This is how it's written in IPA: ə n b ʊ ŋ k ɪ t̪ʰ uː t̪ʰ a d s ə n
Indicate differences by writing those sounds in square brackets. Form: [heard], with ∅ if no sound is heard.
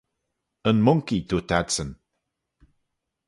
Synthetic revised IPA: ə n [m] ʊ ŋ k [i] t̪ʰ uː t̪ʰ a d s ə n